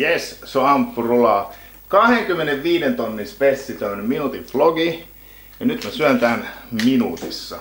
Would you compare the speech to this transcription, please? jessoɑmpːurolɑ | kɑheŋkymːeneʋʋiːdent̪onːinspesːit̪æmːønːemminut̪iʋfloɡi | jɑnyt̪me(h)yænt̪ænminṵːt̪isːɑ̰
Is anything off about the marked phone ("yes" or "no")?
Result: yes